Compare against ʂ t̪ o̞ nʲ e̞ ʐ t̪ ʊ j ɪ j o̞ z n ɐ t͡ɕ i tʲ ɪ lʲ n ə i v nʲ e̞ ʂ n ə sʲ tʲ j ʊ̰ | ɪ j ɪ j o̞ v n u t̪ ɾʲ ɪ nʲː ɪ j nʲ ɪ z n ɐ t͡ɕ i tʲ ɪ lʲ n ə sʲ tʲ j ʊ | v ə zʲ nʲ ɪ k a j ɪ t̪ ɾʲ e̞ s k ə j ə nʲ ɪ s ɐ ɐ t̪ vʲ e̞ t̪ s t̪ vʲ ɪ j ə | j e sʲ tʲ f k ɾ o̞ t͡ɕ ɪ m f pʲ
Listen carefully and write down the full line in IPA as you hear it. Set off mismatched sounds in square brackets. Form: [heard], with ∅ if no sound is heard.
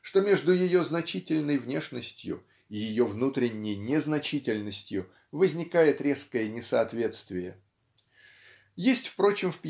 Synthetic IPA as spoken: ʂ t̪ o̞ [mʲ] e̞ ʐ [d̪] ʊ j ɪ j o̞ z n ɐ t͡ɕ i tʲ ɪ lʲ n ə [j] v nʲ e̞ ʂ n ə sʲ tʲ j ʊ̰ | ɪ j ɪ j o̞ v n u t̪ ɾʲ ɪ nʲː ɪ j nʲ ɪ z n ɐ t͡ɕ i tʲ ɪ lʲ n ə sʲ tʲ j ʊ | v ə zʲ nʲ ɪ k a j ɪ t̪ ɾʲ e̞ s k ə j ə nʲ ɪ s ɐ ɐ t̪ vʲ e̞ t̪ s t̪ vʲ ɪ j ə | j e sʲ tʲ f [p] ɾ o̞ t͡ɕ ɪ m f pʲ